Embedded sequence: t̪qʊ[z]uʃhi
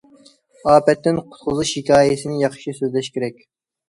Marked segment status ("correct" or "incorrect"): correct